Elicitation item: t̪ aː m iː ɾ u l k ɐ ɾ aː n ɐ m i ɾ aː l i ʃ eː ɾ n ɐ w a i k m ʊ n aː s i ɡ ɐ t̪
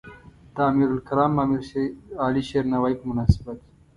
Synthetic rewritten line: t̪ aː m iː ɾ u l k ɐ ɾ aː m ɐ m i ɾ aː l i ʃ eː ɾ n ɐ w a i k m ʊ n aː s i b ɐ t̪